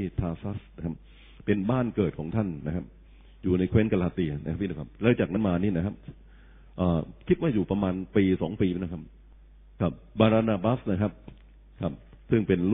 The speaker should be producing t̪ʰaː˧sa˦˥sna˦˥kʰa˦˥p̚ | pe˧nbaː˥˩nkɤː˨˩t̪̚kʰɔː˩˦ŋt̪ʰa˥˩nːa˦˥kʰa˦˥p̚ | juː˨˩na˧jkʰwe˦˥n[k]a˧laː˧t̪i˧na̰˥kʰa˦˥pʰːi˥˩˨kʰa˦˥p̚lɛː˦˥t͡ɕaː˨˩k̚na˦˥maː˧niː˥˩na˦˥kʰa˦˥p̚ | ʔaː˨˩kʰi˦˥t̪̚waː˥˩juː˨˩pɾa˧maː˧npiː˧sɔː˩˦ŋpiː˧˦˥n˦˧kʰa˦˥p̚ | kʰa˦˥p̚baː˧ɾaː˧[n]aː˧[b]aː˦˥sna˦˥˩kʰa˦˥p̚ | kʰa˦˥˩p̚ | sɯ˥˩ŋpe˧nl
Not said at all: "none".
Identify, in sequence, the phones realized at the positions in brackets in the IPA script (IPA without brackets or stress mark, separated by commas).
k, n, b